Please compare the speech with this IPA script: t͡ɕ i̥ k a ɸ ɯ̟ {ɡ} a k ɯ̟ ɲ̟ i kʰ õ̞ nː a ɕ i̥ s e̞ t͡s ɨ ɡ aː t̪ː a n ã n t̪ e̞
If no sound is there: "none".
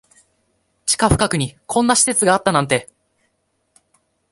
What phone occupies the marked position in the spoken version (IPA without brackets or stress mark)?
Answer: k